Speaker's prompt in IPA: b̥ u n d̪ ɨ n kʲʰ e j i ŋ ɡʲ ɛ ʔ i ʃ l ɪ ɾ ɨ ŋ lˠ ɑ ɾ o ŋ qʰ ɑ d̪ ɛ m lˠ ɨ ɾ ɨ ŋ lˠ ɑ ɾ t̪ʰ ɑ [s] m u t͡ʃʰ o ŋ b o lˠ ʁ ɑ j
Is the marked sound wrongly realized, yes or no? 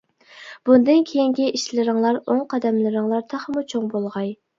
yes